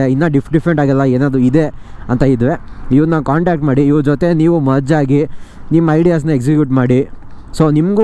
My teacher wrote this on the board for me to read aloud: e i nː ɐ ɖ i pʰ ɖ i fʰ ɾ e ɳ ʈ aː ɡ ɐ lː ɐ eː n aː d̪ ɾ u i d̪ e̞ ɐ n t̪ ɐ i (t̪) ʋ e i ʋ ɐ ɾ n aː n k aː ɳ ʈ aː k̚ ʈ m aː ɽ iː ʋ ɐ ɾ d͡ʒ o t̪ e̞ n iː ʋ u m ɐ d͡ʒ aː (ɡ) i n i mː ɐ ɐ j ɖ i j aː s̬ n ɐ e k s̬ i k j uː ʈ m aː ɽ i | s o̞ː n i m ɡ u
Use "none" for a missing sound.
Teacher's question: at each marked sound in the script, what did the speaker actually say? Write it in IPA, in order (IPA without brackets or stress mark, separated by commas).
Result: d̪, ɡ